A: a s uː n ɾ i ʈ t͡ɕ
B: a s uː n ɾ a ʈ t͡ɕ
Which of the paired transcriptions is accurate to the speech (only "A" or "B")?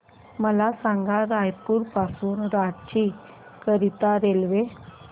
B